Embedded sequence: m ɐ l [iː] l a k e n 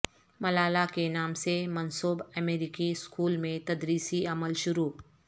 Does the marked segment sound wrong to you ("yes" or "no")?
yes